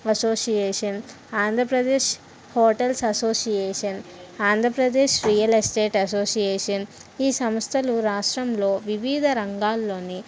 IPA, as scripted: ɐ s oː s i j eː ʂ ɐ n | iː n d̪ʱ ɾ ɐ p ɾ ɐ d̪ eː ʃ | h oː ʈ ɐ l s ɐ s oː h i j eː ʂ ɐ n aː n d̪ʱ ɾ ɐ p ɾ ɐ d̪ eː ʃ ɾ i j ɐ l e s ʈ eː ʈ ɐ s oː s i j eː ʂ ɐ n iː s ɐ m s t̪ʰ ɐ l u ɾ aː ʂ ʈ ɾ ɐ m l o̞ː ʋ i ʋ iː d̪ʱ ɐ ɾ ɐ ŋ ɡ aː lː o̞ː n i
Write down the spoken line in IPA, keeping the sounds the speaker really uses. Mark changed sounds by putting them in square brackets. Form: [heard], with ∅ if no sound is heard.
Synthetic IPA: ɐ s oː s i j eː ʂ ɐ n | [aː] n d̪ʱ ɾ ɐ p ɾ ɐ d̪ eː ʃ | h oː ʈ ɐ l s ɐ s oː [s] i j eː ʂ ɐ n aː n d̪ʱ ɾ ɐ p ɾ ɐ d̪ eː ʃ ɾ i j ɐ l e s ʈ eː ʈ ɐ s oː s i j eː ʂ ɐ n iː s ɐ m s t̪ʰ ɐ l u ɾ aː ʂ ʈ ɾ ɐ m l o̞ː ʋ i ʋ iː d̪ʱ ɐ ɾ ɐ ŋ ɡ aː lː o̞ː n i